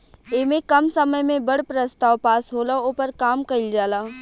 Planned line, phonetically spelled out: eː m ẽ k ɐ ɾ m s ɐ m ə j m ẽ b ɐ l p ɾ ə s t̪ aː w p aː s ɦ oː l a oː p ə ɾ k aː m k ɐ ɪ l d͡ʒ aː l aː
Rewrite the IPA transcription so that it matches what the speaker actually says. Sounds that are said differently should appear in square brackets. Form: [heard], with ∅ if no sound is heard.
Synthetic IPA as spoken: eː m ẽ k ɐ [∅] m s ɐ m ə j m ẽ b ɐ [ɽ] p ɾ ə s t̪ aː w p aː s ɦ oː l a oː p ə ɾ k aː m k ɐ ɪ l d͡ʒ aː l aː